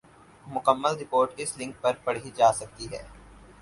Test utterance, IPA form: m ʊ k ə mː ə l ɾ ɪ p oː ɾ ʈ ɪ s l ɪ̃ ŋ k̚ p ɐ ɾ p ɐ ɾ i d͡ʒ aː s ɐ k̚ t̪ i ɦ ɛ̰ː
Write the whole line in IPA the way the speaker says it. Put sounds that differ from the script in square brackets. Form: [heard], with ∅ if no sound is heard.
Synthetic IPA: m ʊ k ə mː ə l ɾ ɪ p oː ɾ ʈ ɪ s l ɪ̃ ŋ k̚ p ɐ ɾ p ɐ [ɽ] i d͡ʒ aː s ɐ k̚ t̪ i ɦ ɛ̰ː